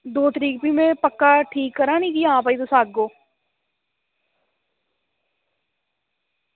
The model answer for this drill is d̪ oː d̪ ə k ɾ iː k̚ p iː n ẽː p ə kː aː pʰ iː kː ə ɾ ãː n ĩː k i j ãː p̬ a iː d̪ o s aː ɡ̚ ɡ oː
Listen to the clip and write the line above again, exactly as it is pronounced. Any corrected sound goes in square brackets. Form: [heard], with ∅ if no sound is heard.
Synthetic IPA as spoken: d̪ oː [t̪] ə [∅] ɾ iː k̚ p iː [m] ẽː p ə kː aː [ʈʰ] iː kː ə ɾ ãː n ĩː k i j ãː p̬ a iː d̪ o s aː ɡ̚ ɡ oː

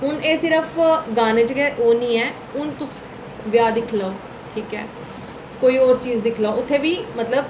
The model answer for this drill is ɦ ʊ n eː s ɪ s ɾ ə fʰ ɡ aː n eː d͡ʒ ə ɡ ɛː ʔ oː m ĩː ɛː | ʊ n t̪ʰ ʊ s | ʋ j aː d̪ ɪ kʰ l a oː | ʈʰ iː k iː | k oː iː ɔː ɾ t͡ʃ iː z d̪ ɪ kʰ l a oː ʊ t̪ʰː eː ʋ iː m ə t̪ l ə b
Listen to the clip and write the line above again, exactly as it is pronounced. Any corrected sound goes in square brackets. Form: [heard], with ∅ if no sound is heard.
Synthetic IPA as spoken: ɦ ʊ n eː s ɪ [∅] ɾ ə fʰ ɡ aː n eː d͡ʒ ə ɡ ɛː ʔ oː [n] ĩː ɛː | ʊ n [t̪] ʊ s | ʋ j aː d̪ ɪ kʰ l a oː | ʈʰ iː k [ɛː] | k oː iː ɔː ɾ t͡ʃ iː z d̪ ɪ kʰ l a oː ʊ t̪ʰː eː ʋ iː m ə t̪ l ə b

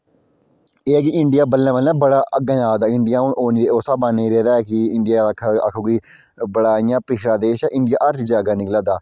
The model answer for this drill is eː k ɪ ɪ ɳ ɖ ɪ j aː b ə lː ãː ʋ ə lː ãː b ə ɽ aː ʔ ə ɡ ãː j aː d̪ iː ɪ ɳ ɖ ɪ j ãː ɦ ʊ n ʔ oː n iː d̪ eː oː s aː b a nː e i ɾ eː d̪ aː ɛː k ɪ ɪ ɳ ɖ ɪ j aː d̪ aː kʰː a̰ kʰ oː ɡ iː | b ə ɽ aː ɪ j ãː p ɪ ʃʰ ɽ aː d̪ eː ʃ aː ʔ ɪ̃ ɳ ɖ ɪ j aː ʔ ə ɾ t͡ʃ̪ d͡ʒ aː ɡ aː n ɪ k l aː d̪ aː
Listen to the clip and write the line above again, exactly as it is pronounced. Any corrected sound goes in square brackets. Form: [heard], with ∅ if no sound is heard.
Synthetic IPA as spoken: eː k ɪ ɪ ɳ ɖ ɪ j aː b ə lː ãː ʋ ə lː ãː b ə ɽ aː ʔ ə ɡ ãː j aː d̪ [aː] ɪ ɳ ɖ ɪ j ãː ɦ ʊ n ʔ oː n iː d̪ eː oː s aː b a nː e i ɾ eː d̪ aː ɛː k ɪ ɪ ɳ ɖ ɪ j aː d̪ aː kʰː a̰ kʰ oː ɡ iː | b ə ɽ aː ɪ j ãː p ɪ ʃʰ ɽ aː d̪ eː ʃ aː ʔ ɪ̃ ɳ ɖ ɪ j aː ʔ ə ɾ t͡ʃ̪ d͡ʒ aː ɡ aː n ɪ k l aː d̪ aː

